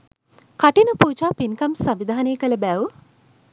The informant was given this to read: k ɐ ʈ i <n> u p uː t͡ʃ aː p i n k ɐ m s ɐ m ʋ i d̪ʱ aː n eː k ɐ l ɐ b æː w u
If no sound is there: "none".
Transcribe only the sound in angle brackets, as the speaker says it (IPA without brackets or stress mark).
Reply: n